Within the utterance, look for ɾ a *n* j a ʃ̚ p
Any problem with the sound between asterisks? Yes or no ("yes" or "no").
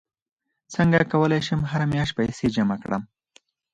yes